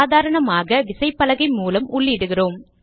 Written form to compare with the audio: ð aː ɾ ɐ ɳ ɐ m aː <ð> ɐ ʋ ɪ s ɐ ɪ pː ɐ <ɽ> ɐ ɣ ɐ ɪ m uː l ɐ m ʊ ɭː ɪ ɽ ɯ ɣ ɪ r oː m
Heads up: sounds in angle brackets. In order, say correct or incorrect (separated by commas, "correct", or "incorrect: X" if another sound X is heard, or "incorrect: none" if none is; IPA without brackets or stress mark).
incorrect: ɣ, incorrect: l